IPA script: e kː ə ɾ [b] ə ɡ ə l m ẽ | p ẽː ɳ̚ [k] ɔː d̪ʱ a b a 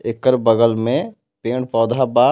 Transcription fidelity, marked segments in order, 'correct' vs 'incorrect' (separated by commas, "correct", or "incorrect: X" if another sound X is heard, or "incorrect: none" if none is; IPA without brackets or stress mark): correct, incorrect: p